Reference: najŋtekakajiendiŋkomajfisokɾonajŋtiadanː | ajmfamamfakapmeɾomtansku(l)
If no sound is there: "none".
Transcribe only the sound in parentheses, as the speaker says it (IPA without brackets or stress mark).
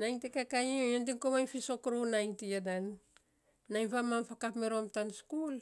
l